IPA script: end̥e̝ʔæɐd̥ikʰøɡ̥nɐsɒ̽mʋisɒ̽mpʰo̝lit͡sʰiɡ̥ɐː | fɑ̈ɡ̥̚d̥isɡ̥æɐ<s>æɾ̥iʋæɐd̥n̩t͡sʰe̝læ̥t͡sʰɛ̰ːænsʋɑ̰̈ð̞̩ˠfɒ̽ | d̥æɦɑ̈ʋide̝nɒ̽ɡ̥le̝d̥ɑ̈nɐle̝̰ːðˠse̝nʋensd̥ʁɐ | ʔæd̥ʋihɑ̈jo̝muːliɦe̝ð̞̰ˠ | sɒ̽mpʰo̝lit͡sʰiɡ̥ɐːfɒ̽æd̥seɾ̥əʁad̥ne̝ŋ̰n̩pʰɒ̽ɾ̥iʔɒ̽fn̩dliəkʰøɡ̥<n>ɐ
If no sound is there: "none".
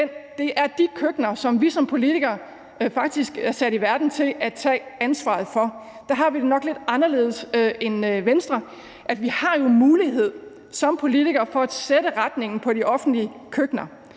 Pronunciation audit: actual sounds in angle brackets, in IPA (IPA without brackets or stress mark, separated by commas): s, n